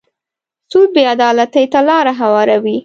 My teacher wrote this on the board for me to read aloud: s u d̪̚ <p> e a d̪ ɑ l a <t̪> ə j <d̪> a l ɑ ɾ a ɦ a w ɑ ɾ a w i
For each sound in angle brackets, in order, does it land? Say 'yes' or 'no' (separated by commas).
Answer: no, yes, no